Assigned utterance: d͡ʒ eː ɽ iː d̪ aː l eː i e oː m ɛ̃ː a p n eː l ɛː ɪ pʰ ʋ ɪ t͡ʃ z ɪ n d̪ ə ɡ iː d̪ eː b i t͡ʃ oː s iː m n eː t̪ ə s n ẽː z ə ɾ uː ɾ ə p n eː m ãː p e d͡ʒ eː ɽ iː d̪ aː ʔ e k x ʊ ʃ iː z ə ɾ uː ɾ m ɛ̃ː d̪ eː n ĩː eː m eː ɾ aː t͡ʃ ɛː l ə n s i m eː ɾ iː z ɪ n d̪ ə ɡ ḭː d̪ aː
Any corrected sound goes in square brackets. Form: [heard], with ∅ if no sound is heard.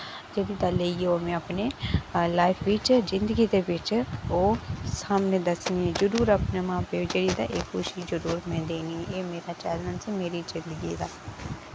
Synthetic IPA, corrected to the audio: d͡ʒ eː ɽ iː d̪ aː l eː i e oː m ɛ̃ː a p n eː l [aː] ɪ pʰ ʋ ɪ t͡ʃ z ɪ n d̪ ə ɡ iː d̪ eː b [ɪ] t͡ʃ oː s [aː] m n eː [d̪] ə s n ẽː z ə ɾ uː ɾ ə p n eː m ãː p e d͡ʒ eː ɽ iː d̪ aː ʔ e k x ʊ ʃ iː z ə ɾ uː ɾ m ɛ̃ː d̪ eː n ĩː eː m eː ɾ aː t͡ʃ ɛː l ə n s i m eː ɾ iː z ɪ n d̪ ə ɡ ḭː d̪ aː